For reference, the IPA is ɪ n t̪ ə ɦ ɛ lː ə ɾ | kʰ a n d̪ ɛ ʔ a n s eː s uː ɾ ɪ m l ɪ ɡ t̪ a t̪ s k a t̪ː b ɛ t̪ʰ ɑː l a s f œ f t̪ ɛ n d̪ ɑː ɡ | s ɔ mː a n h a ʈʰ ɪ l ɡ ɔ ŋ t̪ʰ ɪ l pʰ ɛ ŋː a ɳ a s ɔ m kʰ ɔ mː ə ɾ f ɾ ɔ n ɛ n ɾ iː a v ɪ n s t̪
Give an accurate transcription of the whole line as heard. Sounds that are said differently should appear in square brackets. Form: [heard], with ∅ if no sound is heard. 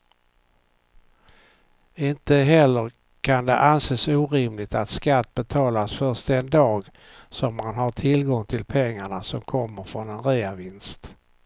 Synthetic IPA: ɪ n t̪ ə ɦ ɛ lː ə ɾ | kʰ a n d̪ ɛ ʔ a n s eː s uː ɾ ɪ m l ɪ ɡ t̪ a t̪ s k a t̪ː b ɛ t̪ʰ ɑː l a s f œ [ʂ] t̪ ɛ n d̪ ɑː ɡ | s ɔ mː a n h a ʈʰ ɪ l ɡ ɔ ŋ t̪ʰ ɪ l pʰ ɛ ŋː a ɳ a s ɔ m kʰ ɔ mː ə ɾ f ɾ ɔ n ɛ n ɾ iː a v ɪ n s t̪